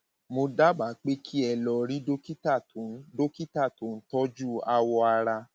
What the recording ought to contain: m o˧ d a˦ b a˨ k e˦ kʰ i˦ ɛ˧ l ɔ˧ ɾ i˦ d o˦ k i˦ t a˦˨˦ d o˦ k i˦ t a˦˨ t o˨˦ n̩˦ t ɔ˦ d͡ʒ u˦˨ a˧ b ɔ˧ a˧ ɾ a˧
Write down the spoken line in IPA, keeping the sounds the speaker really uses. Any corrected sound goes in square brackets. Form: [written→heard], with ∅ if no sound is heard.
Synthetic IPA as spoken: m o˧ d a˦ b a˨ [k→k͡p] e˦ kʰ i˦ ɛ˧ l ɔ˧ ɾ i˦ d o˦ k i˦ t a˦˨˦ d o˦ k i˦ t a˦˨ t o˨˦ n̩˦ t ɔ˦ d͡ʒ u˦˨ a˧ [b→w] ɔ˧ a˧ ɾ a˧